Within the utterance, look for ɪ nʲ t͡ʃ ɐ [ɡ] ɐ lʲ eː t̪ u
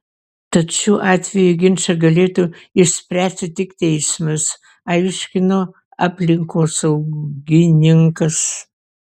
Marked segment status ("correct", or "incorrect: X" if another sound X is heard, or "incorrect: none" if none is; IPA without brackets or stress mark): correct